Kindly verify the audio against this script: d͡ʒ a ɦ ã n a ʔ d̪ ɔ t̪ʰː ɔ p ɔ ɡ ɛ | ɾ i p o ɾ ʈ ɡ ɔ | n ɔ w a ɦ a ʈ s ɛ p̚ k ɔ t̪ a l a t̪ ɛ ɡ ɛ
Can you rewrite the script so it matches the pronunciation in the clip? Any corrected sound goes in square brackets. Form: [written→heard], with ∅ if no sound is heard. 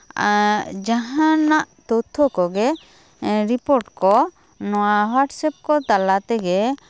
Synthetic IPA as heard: d͡ʒ a ɦ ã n a ʔ [d̪→t̪] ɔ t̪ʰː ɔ [p→k] ɔ ɡ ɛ | ɾ i p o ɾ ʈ [ɡ→k] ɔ | n ɔ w a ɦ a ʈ s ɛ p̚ k ɔ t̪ a l a t̪ ɛ ɡ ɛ